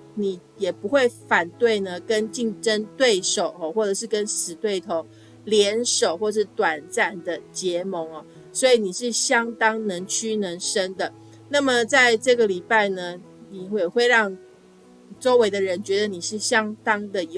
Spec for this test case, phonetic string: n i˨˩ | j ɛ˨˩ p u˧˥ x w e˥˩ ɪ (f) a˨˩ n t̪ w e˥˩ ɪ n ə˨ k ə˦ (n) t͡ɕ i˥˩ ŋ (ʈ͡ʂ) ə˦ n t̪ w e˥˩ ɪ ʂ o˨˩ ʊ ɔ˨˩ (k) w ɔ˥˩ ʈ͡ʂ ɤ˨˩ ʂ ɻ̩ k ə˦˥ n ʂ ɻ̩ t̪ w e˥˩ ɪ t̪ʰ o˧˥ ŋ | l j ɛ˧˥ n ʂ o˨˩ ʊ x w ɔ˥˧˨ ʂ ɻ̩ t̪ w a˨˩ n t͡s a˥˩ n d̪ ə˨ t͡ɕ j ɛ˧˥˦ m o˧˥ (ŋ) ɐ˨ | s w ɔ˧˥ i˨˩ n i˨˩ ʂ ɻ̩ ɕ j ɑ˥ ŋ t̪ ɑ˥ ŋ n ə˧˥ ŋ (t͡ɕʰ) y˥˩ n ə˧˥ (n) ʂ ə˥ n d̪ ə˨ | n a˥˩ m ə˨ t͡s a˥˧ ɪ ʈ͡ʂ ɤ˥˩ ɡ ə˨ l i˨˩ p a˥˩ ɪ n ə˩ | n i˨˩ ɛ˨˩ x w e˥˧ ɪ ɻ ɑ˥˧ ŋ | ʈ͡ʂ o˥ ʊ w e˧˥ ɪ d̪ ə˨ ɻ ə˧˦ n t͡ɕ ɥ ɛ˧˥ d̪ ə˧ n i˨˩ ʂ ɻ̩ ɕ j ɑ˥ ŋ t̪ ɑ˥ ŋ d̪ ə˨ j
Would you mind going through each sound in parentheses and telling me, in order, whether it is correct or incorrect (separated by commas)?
correct, correct, correct, incorrect, correct, correct, incorrect